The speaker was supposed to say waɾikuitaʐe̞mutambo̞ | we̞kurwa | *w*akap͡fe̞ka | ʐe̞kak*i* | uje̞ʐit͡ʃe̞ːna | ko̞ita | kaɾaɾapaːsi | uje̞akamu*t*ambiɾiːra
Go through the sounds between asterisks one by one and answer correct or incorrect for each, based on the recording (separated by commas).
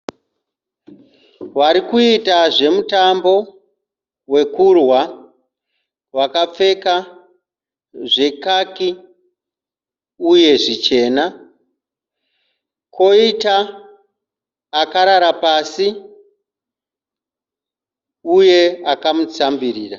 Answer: correct, correct, incorrect